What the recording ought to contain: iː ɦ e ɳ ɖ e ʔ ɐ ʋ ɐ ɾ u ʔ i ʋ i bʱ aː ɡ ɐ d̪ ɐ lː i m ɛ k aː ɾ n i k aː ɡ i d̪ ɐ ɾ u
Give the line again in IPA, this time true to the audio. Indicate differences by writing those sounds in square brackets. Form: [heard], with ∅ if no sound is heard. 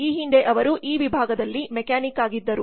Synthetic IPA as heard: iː ɦ [i] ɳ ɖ e ʔ ɐ ʋ ɐ ɾ u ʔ [iː] ʋ i bʱ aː ɡ ɐ d̪ ɐ lː i m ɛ k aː [∅] n i k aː ɡ i [d̪ː] ɐ ɾ u